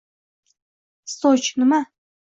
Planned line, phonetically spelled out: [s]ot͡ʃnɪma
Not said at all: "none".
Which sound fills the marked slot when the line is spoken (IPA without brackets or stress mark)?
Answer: s